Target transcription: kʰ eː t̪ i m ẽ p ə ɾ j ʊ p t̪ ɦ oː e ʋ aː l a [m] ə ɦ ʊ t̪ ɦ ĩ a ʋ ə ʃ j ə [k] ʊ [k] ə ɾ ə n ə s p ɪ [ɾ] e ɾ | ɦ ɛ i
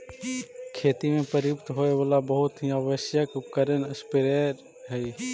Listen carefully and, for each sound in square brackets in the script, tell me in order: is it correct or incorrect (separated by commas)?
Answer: incorrect, correct, correct, correct